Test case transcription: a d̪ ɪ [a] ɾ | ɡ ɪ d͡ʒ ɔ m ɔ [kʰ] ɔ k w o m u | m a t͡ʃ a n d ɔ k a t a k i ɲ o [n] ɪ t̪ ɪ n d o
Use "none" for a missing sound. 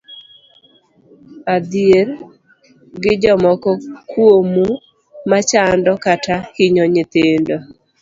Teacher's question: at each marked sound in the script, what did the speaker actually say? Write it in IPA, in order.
e, k, ɲ

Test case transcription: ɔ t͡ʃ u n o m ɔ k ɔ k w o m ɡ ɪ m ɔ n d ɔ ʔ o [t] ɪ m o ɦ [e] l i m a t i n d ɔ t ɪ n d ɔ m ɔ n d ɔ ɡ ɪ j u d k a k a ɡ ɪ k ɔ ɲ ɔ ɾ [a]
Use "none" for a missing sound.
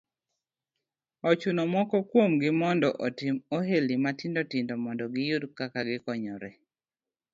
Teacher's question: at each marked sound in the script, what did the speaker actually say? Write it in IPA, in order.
t, e, ɛ

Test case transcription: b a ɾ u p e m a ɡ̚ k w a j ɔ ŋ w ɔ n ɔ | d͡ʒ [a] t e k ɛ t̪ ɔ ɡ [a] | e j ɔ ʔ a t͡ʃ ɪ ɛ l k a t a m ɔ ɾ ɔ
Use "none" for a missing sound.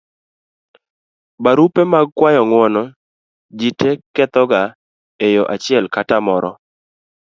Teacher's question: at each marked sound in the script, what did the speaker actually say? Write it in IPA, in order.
i, a

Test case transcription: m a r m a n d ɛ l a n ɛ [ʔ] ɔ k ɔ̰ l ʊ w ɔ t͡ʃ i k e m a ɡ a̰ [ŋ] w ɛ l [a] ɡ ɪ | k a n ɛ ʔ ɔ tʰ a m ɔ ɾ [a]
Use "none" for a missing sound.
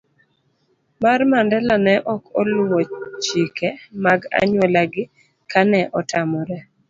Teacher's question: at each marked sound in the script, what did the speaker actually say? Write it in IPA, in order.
ʔ, ɲ, a, ɛ

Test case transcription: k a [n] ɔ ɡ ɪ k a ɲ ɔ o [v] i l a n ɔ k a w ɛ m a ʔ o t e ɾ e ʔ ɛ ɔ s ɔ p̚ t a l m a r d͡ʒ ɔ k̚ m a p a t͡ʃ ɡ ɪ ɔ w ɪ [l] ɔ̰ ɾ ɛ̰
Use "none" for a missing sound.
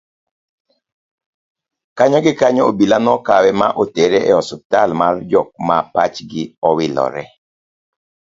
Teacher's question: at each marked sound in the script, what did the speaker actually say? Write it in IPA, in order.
ɲ, b, l

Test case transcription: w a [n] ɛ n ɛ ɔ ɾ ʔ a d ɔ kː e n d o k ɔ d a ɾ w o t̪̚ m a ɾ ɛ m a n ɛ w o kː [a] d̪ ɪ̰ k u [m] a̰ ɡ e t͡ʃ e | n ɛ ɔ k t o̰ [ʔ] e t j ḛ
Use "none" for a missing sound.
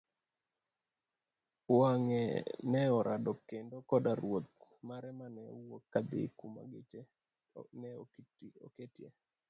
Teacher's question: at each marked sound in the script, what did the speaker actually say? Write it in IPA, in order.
ŋ, a, m, k

